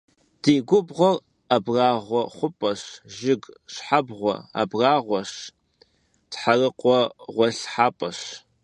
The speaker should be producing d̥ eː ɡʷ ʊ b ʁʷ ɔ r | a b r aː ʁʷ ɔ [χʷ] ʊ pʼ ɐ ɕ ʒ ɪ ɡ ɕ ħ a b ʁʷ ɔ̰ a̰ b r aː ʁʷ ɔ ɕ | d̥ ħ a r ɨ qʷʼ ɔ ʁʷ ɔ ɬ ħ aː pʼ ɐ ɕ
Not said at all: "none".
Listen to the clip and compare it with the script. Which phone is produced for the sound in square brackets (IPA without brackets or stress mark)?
χʷ